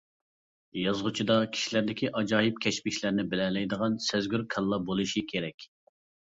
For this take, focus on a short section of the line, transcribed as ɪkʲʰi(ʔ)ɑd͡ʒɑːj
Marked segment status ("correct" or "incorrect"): correct